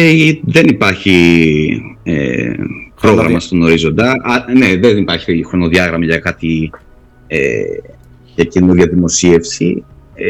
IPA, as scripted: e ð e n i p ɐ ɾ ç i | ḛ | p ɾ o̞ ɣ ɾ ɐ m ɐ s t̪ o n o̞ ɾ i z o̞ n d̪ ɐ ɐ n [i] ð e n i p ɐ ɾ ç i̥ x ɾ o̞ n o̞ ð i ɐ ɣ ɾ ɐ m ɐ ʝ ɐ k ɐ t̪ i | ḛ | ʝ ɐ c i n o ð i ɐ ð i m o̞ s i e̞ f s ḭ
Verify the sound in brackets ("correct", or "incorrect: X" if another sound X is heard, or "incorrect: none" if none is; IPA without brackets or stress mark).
incorrect: e